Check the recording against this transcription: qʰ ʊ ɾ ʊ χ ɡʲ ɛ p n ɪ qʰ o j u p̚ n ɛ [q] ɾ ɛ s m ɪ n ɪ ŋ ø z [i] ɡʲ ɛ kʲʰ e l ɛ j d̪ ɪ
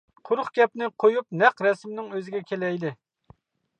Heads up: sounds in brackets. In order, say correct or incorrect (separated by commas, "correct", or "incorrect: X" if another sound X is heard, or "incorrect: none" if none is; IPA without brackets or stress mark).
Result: correct, incorrect: ɪ